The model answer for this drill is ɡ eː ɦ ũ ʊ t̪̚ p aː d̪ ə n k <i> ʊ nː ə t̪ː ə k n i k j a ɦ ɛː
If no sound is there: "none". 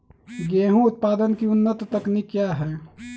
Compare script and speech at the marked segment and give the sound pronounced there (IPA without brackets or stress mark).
i